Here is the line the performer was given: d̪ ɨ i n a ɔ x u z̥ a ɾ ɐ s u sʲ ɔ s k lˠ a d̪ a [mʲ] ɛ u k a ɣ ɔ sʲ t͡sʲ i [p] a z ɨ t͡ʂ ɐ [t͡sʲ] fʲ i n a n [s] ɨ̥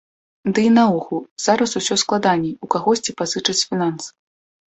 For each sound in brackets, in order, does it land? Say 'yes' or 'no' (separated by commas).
no, yes, yes, yes